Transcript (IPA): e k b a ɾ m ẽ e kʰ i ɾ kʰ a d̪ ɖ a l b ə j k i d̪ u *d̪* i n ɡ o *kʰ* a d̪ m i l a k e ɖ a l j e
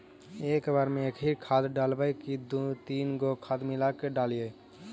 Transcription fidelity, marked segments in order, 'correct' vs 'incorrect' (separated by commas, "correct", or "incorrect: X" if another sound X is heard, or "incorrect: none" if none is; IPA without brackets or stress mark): incorrect: t̪, correct